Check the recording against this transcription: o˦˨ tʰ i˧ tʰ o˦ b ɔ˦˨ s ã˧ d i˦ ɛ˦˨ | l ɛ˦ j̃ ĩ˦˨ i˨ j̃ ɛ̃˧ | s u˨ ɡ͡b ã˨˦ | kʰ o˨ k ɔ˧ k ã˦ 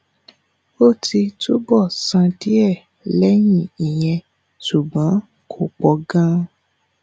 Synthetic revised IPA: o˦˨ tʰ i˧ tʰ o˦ b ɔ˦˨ s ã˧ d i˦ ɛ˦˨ | l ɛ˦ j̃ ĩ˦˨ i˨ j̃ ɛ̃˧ | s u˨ ɡ͡b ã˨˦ | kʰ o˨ k͡p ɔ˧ ɡ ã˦